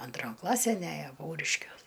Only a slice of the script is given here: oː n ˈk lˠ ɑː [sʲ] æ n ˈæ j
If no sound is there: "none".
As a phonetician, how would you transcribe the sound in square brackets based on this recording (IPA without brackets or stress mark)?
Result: sʲ